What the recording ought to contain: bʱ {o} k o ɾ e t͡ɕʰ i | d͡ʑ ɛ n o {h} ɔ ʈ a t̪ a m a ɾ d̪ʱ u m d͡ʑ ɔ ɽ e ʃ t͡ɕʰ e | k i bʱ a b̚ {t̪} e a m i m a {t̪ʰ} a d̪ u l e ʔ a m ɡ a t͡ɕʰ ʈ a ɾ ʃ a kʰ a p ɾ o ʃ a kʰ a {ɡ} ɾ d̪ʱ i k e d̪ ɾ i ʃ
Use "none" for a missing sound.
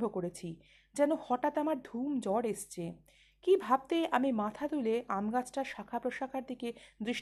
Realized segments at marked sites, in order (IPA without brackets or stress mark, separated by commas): o, h, t̪, t̪ʰ, none